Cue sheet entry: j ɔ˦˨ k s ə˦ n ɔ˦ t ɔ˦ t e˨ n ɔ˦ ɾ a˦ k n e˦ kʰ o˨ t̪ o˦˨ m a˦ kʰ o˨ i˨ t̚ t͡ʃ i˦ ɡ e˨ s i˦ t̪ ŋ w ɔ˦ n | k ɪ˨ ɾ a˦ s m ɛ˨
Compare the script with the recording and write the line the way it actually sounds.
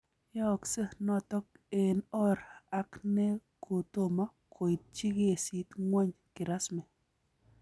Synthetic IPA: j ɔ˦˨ k s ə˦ n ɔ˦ t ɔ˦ k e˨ n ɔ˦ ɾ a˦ k n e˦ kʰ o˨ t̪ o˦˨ m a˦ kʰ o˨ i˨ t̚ t͡ʃ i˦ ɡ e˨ s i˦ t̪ ŋ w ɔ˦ ɲ | k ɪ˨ ɾ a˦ s m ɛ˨